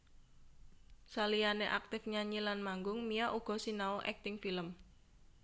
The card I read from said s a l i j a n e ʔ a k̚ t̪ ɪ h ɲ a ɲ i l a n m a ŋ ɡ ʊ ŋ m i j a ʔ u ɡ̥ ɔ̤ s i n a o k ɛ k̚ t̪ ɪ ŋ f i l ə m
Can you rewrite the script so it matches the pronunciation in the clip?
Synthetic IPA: s a l i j a n e ʔ a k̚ t̪ ɪ f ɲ a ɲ i l a n m a ŋ ɡ ʊ ŋ m i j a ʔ u ɡ̥ ɔ̤ s i n a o ʔ ɛ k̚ t̪ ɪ ŋ f i l ə m